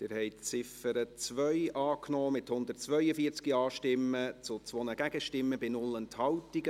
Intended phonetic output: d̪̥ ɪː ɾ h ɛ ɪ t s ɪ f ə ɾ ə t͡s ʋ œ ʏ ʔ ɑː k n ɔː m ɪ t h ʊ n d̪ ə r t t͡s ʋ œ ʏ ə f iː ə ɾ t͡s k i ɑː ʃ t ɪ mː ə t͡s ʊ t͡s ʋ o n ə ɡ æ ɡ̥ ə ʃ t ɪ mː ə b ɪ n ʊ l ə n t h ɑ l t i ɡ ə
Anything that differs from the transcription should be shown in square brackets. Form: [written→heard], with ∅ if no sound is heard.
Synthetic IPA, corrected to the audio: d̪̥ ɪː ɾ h ɛ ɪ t [s→t͡s] ɪ f ə ɾ ə t͡s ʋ œ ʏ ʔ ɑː k n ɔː m ɪ t h ʊ n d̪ ə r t t͡s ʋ œ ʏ ə f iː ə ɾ t͡s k i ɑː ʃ t ɪ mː ə t͡s ʊ t͡s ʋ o n ə ɡ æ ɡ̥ ə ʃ t ɪ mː ə b ɪ n ʊ l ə n t h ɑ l t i ɡ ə